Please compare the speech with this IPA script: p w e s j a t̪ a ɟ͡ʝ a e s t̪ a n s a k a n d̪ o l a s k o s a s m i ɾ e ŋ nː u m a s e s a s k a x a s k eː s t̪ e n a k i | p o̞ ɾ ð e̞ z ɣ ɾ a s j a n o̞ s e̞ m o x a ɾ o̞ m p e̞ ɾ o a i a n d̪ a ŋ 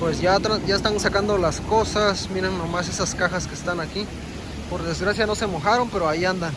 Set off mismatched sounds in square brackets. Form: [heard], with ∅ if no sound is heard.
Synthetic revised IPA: p w e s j a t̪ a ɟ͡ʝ a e s t̪ a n s a k a n d̪ o l a s k o s a s m i ɾ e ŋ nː [o] m a s e s a s k a x a s k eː s t̪ [a] n a k i | p o̞ ɾ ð e̞ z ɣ ɾ a s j a n o̞ s e̞ m o x a ɾ o̞ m p e̞ ɾ o a i a n d̪ a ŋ